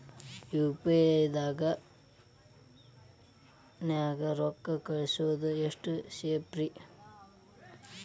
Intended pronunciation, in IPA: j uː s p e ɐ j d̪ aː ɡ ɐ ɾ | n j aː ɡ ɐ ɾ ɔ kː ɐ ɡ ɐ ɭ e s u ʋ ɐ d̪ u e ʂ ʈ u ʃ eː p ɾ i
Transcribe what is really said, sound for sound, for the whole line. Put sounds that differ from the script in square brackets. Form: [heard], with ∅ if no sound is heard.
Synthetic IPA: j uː [∅] p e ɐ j d̪ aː ɡ ɐ [∅] | n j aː ɡ ɐ ɾ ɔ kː ɐ [k] ɐ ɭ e s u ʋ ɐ d̪ u e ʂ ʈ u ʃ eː p ɾ i